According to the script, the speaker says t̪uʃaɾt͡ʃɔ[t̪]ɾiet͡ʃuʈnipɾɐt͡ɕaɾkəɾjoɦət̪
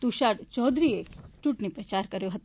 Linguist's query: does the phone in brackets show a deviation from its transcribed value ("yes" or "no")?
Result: yes